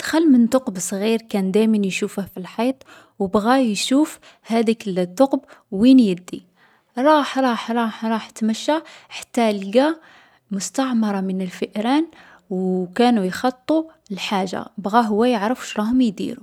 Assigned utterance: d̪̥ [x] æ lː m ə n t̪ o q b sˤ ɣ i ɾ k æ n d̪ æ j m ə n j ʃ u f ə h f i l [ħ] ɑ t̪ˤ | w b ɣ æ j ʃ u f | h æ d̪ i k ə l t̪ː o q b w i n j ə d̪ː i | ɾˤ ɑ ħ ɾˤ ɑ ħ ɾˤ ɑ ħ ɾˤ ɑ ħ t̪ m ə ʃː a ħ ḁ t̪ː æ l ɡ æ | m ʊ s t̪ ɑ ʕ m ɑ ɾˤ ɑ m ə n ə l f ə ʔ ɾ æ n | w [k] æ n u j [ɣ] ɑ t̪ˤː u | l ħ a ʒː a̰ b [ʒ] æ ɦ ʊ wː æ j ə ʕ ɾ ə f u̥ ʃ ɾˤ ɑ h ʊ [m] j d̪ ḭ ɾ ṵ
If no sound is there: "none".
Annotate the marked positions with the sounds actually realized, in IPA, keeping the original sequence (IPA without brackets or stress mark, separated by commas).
x, ħ, k, x, ɣ, m